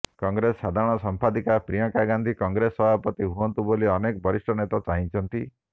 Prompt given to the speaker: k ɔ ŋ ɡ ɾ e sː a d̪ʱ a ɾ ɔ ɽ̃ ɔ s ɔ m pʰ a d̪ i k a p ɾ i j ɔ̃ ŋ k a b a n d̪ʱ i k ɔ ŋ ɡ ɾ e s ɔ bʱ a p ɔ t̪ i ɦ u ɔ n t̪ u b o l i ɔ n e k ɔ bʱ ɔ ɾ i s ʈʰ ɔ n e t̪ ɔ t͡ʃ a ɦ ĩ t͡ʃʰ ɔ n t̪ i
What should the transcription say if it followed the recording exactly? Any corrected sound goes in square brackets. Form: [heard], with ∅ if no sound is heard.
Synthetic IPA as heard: k ɔ ŋ ɡ ɾ e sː a d̪ʱ a ɾ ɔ ɽ̃ ɔ s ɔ m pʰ a d̪ i k a p ɾ i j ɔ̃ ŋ k a [ɡ] a n d̪ʱ i k ɔ ŋ ɡ ɾ e s ɔ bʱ a p ɔ t̪ i ɦ u ɔ n t̪ u b o l i ɔ n e k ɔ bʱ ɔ ɾ i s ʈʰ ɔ n e t̪ ɔ t͡ʃ a ɦ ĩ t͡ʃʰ ɔ n t̪ i